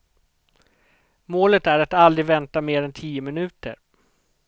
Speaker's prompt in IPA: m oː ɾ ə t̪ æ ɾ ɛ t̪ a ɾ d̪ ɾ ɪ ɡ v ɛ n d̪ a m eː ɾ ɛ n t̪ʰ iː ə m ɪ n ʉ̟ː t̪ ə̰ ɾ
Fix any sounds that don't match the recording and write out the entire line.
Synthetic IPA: m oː l ə t̪ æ ɾ a t̪ a l d̪ ɾ ɪ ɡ v ɛ n t̪ a m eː ɾ ɛ n t̪ʰ iː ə m ɪ n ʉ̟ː t̪ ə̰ ɾ

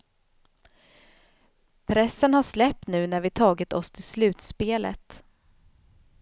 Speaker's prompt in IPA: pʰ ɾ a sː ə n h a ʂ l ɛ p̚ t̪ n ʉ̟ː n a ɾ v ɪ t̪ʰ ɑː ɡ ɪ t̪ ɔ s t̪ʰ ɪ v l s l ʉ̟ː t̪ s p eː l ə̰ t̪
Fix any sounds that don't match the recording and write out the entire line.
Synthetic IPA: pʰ ɾ ɛ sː ə n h a ʂ l ɛ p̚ t̪ n ʉ̟ː n æ ɾ v ɪ t̪ʰ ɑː ɡ ɪ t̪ ɔ s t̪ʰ ɪ l s l ʉ̟ː t̪ s p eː l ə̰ t̪

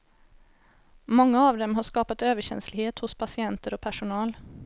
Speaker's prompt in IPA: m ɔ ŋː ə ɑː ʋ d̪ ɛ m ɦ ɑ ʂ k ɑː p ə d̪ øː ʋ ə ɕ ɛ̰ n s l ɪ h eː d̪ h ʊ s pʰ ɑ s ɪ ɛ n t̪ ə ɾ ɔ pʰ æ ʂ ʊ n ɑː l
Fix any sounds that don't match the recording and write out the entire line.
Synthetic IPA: m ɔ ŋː ə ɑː ʋ d̪ ɛ m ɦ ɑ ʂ k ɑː p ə t̪ øː ʋ ə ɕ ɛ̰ n s l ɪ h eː t̪ h ʊ s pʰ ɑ s ɪ ɛ n t̪ ə ɾ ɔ pʰ æ ʂ ʊ n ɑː l

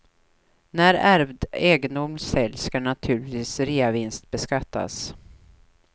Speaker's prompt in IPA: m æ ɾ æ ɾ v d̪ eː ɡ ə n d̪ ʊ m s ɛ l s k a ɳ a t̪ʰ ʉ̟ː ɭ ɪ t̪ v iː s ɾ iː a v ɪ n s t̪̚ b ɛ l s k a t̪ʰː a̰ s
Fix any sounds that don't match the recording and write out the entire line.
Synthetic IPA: n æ ɾ æ ɾ v d̪ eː ɡ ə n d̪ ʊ m s ɛ l s k a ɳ a t̪ʰ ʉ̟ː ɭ ɪ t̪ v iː s ɾ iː a v ɪ n s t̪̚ b ɛ s k a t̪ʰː a̰ s

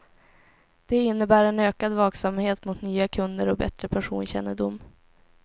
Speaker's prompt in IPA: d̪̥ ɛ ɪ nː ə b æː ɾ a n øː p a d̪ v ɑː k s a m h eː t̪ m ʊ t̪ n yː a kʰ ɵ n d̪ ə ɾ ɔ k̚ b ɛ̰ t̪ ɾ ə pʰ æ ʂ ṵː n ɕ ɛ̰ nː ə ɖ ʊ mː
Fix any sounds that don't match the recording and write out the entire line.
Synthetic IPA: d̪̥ ɛ ɪ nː ə b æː ɾ ɛ n øː k a d̪ v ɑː k s a m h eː t̪ m ʊ t̪ n yː a kʰ ɵ n d̪ ə ɾ ɔ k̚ b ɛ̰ t̪ ɾ ə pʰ æ ʂ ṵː n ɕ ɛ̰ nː ə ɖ ʊ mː

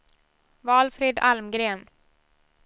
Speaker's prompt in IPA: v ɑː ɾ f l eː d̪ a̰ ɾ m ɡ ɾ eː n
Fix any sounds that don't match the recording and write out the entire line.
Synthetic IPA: v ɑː l f ɾ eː d̪ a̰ l m ɡ ɾ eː n

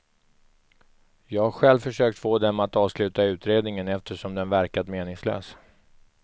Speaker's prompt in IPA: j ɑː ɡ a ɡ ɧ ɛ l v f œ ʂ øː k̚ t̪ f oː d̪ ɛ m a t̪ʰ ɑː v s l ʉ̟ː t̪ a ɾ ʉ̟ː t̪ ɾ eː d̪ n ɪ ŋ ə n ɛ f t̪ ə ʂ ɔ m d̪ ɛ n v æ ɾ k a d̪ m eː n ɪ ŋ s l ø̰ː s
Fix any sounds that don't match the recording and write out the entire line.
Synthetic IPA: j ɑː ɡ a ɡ ɧ ɛ l v f œ ʂ øː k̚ t̪ f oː d̪ ɛ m a t̪ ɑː v s l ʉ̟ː t̪ a ʉ̟ː t̪ ɾ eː d̪ n ɪ ŋ ə n ɛ f t̪ ə ʂ ɔ m d̪ ɛ n v æ ɾ k a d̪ m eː n ɪ ŋ s l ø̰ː s

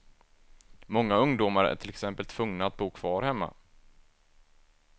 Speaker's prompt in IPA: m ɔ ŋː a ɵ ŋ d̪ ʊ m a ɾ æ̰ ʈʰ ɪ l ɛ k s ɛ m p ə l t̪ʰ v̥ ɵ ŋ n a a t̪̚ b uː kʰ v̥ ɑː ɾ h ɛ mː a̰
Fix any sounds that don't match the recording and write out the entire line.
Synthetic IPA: m ɔ ŋː a ɵ ŋ d̪ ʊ m a ɾ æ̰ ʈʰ ɪ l ɛ k s ɛ m p ə l t̪ʰ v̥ ɵ ŋ n a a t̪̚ b uː kʰ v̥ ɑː ɾ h ɛ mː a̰

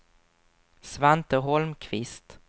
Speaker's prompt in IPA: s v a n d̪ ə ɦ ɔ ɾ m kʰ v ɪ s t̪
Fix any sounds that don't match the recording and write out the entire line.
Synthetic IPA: s v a n t̪ ə ɦ ɔ l m kʰ v ɪ s t̪

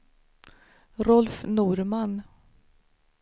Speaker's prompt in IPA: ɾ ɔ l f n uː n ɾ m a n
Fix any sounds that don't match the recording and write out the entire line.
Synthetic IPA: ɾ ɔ l f n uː ɾ m a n

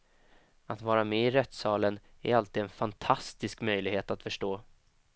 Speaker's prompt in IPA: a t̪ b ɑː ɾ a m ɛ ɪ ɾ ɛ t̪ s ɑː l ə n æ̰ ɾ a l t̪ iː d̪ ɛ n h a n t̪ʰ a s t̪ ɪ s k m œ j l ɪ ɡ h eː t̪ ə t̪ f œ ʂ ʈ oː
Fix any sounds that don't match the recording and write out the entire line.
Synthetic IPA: a t̪ v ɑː ɾ a m ɛ ɪ ɾ ɛ t̪ s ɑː l ə n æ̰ ɾ a l t̪ iː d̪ ɛ n f a n t̪ʰ a s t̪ ɪ s k m œ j l ɪ ɡ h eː t̪ a t̪ f œ ʂ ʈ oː

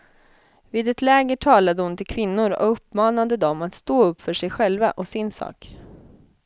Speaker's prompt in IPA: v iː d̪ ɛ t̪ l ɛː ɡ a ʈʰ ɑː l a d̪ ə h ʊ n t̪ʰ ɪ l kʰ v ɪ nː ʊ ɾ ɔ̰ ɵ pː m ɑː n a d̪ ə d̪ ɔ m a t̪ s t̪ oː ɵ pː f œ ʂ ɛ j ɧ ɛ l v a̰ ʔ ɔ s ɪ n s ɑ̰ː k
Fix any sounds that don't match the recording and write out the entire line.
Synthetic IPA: v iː d̪ ɛ t̪ l ɛː ɡ ə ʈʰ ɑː l a d̪ ə h ʊ n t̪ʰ ɪ l kʰ v ɪ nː ʊ ɾ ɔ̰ ɵ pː m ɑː n a d̪ ə d̪ ɔ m a t̪ s t̪ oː ɵ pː f œ ʂ ɛ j ɧ ɛ l v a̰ ʔ ɔ s ɪ n s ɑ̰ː k

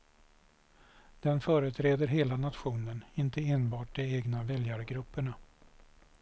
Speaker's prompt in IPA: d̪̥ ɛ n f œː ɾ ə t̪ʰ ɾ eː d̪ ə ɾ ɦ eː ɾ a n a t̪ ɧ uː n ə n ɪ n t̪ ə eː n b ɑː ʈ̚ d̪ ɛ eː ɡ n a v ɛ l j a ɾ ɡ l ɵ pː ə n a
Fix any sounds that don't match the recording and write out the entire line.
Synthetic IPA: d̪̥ ɛ n f œː ɾ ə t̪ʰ ɾ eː d̪ ə ɾ ɦ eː l a n a t̪ ɧ uː n ə n ɪ n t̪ ə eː n b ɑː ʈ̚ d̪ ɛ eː ɡ n a v ɛ l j a ɾ ɡ ɾ ɵ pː ə ɳ a

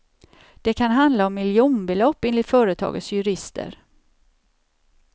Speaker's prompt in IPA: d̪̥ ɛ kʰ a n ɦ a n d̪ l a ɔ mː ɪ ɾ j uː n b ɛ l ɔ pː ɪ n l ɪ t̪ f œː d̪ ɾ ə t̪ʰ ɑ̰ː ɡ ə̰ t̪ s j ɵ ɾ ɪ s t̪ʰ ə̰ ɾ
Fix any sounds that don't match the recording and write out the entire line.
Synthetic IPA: d̪̥ ɛ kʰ a n ɦ a n d̪ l a ɔ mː ɪ l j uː n b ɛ l ɔ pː ɪ n l ɪ t̪ f œː ɾ ə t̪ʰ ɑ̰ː ɡ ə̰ t̪ s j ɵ ɾ ɪ s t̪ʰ ə̰ ɾ

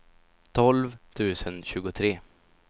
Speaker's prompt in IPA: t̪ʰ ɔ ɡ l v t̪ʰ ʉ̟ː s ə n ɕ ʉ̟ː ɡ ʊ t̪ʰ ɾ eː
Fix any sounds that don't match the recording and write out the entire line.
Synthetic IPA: t̪ʰ ɔ l v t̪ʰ ʉ̟ː s ə n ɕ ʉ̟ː ɡ ʊ t̪ʰ ɾ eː

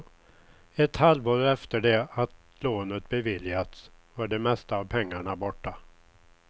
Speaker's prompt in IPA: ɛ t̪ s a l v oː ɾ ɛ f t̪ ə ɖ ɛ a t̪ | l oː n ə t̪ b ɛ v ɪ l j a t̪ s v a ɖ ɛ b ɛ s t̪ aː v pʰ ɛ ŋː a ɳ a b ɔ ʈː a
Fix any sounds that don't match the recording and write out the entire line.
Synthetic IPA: ɛ t̪ h a l v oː ɾ ɛ f t̪ ə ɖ ɛ a t̪ | l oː n ə t̪ b ɛ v ɪ l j a t̪ s v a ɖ ɛ m ɛ s t̪ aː v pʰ ɛ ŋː a ɳ a b ɔ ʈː a

